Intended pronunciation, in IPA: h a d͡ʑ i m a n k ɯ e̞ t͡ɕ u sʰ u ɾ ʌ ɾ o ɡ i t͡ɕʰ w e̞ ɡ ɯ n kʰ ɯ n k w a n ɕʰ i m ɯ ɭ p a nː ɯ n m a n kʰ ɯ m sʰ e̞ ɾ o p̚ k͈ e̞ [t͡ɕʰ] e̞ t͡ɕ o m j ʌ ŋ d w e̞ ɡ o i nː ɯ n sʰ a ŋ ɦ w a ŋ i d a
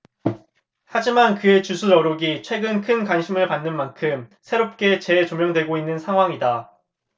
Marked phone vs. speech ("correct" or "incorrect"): incorrect